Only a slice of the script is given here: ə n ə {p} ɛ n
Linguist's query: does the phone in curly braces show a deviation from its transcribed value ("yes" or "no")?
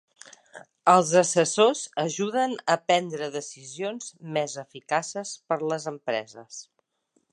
no